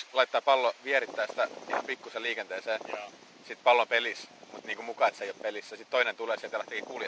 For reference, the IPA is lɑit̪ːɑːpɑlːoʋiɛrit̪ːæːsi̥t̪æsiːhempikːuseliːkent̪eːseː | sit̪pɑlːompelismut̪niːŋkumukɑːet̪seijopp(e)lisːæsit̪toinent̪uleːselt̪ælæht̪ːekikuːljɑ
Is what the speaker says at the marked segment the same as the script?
yes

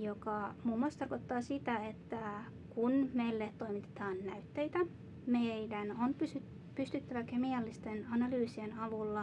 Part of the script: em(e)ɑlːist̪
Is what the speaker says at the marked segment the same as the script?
no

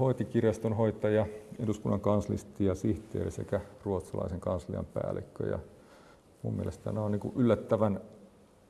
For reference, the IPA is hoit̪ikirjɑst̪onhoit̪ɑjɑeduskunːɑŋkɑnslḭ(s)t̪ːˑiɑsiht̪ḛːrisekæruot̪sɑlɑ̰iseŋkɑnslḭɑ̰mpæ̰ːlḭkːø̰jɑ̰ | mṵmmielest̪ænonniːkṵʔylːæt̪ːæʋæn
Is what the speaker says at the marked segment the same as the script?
yes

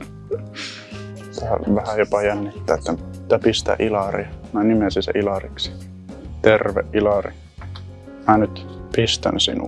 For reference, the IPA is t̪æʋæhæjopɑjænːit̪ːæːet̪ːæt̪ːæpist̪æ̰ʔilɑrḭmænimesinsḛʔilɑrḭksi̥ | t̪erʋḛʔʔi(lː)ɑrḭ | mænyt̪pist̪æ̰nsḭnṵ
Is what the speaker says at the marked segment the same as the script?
no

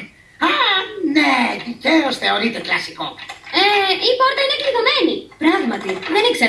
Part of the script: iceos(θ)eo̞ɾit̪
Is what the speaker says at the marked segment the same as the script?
yes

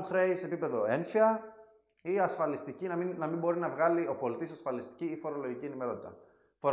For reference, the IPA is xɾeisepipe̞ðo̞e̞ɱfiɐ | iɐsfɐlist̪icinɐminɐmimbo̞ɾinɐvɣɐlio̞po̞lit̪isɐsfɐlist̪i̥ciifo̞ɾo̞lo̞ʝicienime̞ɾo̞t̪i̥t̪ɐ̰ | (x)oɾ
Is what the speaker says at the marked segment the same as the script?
no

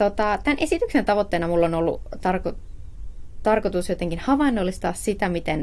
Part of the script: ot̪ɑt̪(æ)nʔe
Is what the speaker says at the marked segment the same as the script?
yes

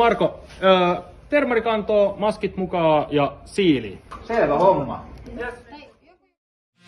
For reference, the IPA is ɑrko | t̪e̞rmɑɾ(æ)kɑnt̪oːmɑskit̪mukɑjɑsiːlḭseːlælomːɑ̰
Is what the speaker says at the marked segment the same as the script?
no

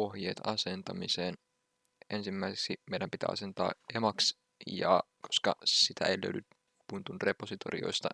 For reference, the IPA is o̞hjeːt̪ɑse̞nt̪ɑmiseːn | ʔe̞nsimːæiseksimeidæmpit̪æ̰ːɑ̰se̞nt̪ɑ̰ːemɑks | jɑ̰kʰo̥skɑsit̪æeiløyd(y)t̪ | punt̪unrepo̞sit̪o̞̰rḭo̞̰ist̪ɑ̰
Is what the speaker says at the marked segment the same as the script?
yes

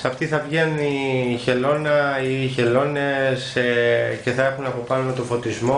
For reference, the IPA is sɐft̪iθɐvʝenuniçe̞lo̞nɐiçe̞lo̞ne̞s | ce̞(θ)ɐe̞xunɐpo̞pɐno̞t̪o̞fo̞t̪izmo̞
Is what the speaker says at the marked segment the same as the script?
yes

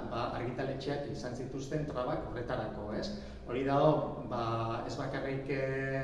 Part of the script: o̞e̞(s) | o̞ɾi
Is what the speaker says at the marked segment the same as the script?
yes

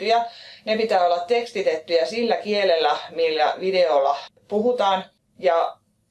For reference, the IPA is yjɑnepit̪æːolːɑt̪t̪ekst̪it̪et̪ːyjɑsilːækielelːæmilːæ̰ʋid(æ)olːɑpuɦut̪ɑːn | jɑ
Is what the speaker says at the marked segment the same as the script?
no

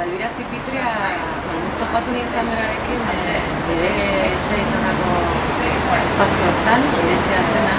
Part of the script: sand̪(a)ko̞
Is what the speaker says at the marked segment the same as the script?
yes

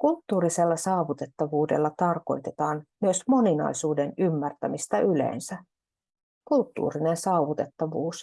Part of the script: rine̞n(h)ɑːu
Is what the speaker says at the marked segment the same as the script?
no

